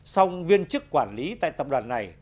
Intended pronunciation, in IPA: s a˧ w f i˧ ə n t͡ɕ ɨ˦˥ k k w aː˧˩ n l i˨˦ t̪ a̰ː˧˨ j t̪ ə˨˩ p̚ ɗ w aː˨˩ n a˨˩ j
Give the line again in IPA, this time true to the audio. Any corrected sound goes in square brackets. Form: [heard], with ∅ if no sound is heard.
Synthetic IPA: s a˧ w [v] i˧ ə n t͡ɕ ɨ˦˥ k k w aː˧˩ n l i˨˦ t̪ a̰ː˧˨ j t̪ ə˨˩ p̚ ɗ w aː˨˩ [nː] a˨˩ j